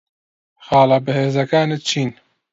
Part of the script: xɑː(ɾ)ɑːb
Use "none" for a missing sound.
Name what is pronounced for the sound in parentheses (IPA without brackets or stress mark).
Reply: l